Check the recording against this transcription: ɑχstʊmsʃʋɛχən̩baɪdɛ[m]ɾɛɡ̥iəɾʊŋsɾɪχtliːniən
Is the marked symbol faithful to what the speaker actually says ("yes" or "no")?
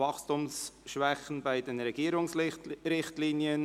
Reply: no